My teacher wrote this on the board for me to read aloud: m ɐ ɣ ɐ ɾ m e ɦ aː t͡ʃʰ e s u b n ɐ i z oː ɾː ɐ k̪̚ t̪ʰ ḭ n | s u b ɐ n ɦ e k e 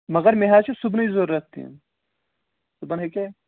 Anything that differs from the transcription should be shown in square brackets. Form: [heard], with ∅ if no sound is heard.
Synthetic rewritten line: m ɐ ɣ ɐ ɾ m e ɦ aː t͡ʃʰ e s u b n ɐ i z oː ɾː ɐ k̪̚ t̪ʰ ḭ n | s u b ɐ n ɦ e k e